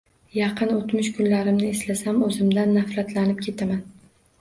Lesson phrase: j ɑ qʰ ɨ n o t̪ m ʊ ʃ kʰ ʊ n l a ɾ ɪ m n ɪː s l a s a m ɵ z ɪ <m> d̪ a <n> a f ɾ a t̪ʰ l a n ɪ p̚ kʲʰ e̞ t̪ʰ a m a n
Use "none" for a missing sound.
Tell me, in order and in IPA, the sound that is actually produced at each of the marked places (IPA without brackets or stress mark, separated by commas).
m, nː